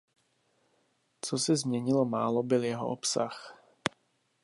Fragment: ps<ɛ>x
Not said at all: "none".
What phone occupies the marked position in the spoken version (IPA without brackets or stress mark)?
a